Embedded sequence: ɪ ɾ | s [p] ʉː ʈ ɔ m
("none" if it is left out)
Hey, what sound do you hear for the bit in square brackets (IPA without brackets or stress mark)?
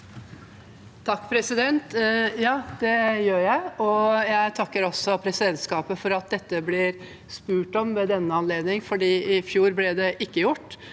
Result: p